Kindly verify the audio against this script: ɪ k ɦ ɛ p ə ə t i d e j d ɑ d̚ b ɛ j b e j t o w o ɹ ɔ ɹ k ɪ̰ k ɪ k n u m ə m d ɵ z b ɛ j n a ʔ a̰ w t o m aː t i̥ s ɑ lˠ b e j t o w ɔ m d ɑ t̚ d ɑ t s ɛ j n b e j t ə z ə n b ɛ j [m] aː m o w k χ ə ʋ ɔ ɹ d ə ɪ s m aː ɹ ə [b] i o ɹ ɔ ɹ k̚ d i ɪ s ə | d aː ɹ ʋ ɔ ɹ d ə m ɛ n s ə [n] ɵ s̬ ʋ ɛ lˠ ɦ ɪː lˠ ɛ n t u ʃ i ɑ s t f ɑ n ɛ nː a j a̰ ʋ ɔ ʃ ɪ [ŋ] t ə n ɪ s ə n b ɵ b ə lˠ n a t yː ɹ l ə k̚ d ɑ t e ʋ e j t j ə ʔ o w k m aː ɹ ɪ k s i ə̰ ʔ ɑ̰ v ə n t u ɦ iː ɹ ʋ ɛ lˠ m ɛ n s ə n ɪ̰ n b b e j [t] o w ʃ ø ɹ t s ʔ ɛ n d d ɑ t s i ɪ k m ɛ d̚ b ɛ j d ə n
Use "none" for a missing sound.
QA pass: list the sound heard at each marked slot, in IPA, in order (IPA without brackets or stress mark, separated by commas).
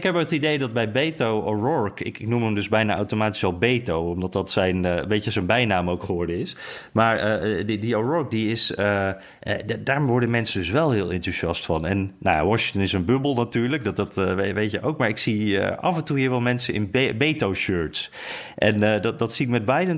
n, d, d, ŋ, t